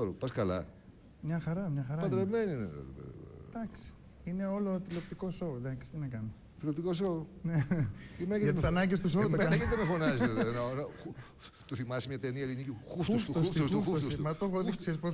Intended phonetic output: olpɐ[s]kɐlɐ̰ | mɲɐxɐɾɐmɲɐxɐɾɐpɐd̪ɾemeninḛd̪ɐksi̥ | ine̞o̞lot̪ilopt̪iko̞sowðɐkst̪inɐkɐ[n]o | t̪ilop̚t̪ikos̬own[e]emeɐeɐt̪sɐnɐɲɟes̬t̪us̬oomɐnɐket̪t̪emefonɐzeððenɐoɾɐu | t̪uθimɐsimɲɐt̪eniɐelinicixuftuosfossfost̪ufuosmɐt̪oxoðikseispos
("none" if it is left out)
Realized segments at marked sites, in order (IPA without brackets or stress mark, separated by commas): s, n, e